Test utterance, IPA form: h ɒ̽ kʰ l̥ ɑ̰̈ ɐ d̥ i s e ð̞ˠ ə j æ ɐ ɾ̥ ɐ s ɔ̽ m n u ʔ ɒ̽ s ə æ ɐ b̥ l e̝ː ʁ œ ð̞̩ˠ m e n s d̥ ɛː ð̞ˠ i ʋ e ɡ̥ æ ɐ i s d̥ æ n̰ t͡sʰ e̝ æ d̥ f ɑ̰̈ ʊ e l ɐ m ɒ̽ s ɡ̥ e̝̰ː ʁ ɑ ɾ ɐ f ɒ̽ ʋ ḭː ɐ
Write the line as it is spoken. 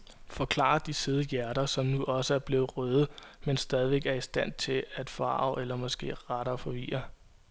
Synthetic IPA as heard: f ɒ̽ kʰ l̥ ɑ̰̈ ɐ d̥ i s e ð̞ˠ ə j æ ɐ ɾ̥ ɐ s ɒ̽ m n u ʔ ɒ̽ s ə æ ɐ b̥ l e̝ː ʁ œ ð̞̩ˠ m e n s d̥ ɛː ð̞ˠ i ʋ e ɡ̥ æ ɐ i s d̥ æ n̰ t͡sʰ e̝ æ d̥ f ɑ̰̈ ʊ e l ɐ m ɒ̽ s ɡ̥ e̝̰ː ʁ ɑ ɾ ɐ f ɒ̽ ʋ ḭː ɐ